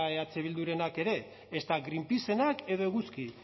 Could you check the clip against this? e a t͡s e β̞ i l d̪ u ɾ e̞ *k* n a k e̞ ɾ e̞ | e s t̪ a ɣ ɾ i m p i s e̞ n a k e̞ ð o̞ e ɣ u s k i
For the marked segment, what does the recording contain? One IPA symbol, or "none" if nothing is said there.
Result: none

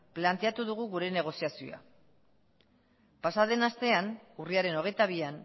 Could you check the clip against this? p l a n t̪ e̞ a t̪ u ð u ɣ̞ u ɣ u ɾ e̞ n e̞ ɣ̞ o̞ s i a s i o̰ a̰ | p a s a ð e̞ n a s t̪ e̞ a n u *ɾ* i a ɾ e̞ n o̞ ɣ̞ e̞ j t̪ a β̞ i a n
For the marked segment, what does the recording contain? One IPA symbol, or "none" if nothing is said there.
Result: r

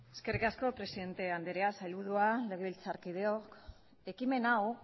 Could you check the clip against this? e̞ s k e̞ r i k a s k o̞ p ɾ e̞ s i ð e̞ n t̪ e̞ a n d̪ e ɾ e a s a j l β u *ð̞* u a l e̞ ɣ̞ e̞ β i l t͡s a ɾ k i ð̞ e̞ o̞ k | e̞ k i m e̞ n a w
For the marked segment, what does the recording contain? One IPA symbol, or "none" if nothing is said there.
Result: ð̞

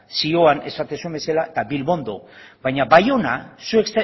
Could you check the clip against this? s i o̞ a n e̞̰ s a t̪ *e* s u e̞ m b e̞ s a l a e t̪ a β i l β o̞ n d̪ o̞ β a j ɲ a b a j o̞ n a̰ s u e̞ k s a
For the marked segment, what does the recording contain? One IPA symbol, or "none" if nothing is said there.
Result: e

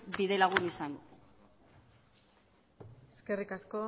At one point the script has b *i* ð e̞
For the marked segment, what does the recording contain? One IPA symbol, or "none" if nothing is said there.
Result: i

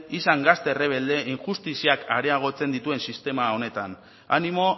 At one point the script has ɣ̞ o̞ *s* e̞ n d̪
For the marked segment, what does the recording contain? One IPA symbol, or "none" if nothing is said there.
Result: t͡s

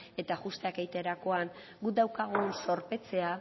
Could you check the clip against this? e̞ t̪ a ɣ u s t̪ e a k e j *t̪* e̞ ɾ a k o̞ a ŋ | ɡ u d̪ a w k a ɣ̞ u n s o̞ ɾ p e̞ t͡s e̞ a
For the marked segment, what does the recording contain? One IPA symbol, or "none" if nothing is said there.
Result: t̪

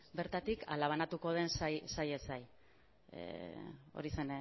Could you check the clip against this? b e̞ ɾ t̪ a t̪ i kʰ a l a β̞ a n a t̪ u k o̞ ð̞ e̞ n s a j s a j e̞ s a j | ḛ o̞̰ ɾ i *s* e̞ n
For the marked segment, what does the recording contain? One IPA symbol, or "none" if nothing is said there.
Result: s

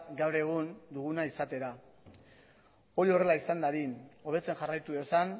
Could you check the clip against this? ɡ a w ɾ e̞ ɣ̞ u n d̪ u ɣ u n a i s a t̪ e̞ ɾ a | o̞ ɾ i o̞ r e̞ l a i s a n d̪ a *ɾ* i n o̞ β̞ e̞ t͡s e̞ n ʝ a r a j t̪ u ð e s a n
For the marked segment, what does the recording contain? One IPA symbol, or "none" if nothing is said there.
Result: ɾ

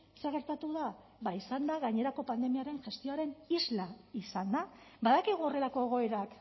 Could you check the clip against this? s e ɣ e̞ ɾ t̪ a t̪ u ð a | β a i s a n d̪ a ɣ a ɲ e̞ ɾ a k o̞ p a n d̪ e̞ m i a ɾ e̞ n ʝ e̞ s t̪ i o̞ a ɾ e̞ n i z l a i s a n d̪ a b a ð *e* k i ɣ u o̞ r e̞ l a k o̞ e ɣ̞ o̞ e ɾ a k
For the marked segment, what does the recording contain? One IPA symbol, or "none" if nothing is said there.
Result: a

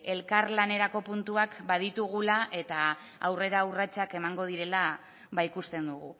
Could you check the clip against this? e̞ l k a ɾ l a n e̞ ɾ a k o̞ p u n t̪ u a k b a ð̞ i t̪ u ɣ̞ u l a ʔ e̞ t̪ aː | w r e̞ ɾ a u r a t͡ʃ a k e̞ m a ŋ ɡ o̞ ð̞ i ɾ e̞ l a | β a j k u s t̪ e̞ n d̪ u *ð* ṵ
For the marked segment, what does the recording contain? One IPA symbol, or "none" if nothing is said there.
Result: ɣ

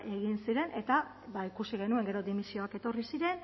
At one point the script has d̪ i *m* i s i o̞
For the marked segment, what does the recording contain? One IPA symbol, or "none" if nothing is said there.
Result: m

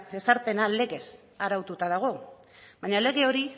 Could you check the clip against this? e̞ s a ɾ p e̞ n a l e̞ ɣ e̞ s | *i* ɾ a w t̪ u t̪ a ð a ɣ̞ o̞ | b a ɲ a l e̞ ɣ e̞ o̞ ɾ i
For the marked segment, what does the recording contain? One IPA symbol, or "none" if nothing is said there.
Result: a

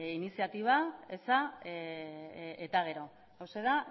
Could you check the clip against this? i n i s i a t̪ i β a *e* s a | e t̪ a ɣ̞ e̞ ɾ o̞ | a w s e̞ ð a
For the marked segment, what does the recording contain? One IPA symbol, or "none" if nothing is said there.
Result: e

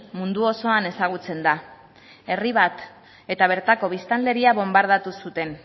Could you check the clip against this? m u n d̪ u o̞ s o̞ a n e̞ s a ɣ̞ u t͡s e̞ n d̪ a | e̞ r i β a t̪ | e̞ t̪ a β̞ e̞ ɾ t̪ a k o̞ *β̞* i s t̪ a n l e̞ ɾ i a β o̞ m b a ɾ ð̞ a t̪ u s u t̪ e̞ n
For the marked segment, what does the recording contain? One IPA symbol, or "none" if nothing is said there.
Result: β̞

